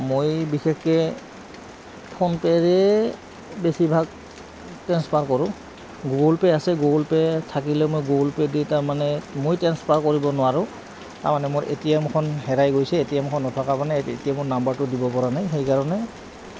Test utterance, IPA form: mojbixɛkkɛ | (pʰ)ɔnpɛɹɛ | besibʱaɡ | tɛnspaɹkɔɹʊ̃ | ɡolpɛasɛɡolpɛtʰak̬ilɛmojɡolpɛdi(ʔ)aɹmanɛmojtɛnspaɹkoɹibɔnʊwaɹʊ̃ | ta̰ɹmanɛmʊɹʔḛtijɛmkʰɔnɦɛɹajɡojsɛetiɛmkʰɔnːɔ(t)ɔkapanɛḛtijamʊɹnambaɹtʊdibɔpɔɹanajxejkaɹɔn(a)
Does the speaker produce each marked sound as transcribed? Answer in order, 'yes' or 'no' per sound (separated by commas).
yes, no, no, no